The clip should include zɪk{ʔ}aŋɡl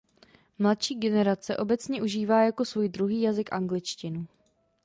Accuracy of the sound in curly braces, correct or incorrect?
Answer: correct